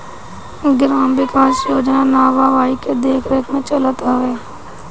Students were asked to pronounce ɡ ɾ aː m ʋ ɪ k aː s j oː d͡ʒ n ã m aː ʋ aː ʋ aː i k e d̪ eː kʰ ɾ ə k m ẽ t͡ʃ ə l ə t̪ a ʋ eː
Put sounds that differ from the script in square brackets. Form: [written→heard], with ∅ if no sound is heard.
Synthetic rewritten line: ɡ ɾ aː m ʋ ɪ k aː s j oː d͡ʒ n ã [m→n] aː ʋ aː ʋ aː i k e d̪ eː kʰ ɾ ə k m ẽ t͡ʃ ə l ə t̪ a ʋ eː